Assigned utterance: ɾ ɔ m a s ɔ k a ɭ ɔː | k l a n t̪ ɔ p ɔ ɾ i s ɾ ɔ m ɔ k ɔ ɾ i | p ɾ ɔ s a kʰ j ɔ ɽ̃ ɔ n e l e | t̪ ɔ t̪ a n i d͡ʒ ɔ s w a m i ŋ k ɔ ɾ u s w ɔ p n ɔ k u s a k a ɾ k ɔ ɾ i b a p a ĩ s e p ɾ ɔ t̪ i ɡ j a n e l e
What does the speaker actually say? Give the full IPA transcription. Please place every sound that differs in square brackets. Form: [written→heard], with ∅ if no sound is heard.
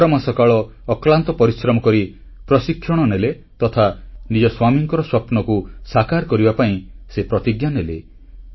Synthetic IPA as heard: ɾ ɔ m a s ɔ k a ɭ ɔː | k l a n t̪ ɔ p ɔ ɾ i s ɾ ɔ m ɔ k ɔ ɾ i | p ɾ ɔ s [a→i] kʰ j ɔ ɽ̃ ɔ n e l e | t̪ ɔ [t̪→t̪ʰ] a n i d͡ʒ ɔ s w a m i ŋ k ɔ ɾ [u→ɔ] s w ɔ p n ɔ k u s a k a ɾ k ɔ ɾ i b a p a ĩ s e p ɾ ɔ t̪ i ɡ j a n e l e